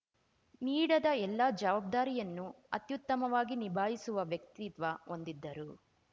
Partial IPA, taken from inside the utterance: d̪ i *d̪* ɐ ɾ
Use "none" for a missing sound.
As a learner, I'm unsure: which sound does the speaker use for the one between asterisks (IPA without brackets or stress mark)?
d̪ː